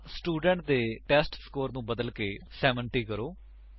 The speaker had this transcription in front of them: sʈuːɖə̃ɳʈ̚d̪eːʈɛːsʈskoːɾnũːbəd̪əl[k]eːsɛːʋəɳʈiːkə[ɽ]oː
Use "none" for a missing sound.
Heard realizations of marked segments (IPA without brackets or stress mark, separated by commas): k, ɾ